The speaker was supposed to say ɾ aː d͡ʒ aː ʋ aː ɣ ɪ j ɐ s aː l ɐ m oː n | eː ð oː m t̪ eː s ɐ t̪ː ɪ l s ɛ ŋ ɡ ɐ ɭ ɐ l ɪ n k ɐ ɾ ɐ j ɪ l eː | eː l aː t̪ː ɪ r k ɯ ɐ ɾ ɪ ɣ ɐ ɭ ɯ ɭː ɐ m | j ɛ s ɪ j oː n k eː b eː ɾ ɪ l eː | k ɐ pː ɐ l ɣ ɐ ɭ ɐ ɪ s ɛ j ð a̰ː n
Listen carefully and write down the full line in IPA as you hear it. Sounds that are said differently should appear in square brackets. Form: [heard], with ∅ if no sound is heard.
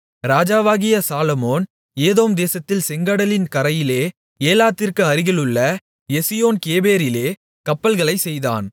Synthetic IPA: ɾ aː d͡ʒ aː ʋ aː ɣ ɪ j ɐ s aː l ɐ m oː n | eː ð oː m [d̪] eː s ɐ t̪ː ɪ l s ɛ ŋ ɡ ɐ [ɽ] ɐ l ɪ n k ɐ ɾ ɐ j ɪ l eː | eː l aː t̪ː ɪ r k ɯ ɐ ɾ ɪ ɣ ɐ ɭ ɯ ɭː ɐ [∅] | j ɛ s ɪ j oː n k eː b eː ɾ ɪ l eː | k ɐ pː ɐ l ɣ ɐ ɭ ɐ ɪ s ɛ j ð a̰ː n